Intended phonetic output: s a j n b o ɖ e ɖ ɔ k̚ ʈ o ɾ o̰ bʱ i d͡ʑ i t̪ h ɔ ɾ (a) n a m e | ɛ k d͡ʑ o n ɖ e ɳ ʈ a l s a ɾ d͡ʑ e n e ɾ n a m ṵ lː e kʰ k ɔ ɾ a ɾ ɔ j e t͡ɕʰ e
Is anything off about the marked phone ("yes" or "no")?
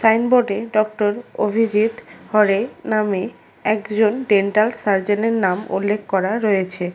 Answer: yes